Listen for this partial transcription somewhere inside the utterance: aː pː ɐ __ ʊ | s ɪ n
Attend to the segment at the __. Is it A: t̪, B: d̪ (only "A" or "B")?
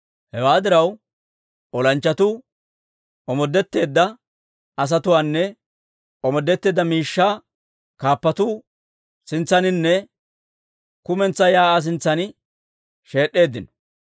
A